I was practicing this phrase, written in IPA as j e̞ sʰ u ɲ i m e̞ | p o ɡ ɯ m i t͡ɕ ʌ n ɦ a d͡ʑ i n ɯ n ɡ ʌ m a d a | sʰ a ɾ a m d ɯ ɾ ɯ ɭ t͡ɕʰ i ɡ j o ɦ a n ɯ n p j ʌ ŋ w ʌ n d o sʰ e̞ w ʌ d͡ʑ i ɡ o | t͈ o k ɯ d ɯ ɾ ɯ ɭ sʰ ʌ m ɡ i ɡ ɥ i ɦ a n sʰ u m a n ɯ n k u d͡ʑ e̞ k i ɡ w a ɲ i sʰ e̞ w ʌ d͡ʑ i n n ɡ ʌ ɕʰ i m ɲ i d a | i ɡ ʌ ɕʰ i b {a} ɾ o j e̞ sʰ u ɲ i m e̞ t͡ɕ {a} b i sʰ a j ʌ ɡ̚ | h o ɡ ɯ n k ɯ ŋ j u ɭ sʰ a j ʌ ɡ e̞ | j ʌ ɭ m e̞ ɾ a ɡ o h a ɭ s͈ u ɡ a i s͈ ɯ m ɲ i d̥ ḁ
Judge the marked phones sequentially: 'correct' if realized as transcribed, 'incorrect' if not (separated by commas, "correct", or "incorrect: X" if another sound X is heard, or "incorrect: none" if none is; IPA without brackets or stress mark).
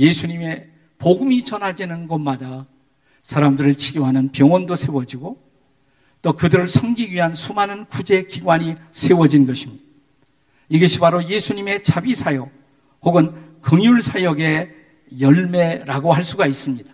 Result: correct, correct